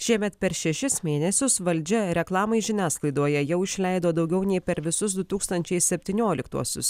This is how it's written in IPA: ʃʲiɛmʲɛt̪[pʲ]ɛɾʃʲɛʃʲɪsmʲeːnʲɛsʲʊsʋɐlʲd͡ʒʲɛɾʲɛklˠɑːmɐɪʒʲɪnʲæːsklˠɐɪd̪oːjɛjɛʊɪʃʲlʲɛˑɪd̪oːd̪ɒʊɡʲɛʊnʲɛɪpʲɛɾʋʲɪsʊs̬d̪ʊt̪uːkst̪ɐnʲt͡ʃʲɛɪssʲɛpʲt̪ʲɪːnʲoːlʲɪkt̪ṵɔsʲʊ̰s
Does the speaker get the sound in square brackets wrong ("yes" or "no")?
no